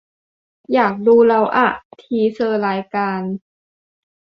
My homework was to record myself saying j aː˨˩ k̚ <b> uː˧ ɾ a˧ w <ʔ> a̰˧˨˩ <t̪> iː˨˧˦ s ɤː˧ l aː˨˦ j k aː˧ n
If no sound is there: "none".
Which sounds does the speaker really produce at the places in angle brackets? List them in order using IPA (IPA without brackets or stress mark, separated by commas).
d, ʔ, t̪ʰ